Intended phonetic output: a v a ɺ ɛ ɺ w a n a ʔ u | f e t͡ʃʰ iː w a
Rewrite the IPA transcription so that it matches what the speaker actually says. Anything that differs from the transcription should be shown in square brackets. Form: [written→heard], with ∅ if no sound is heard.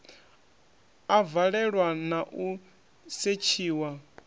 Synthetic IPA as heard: a v a ɺ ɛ ɺ w a n a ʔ u | [f→s] e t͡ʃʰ iː w a